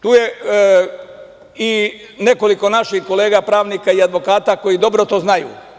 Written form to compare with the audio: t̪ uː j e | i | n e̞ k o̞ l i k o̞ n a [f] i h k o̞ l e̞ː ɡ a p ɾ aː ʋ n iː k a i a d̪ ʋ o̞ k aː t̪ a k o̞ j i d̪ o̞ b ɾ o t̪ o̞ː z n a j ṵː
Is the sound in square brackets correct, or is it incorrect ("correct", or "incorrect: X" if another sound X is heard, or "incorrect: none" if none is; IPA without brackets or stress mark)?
incorrect: ʃ